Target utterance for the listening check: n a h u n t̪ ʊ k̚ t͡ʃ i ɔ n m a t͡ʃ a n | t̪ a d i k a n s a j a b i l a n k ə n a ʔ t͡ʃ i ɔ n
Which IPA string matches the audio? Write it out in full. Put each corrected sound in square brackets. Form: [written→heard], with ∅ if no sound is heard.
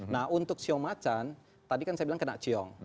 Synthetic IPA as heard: n a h u n t̪ ʊ k̚ t͡ʃ i ɔ [n→ŋ] m a t͡ʃ a n | t̪ a d i k a n s a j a b i l a [n→ŋ] k ə n a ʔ t͡ʃ i ɔ [n→ŋ]